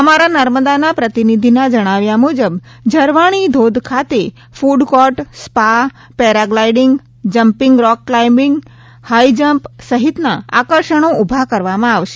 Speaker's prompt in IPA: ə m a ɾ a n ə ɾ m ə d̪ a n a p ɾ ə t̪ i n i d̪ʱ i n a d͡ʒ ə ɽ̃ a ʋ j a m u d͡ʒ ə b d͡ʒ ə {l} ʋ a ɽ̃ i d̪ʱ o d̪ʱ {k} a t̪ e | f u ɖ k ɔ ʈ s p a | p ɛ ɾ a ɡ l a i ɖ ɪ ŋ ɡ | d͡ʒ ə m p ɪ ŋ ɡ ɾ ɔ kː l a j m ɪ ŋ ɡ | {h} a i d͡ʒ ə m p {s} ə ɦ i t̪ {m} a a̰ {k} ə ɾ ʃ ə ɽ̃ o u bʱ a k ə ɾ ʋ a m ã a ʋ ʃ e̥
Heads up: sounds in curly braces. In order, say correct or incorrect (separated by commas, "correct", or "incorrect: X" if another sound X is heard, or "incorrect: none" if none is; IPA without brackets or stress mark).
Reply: incorrect: ɾ, incorrect: kʰ, correct, correct, incorrect: n, correct